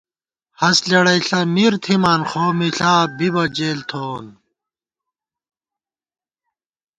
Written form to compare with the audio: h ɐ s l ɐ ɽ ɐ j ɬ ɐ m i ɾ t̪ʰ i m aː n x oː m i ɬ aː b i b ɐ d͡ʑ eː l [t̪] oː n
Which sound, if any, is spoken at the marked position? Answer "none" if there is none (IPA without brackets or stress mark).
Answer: t̪ʰ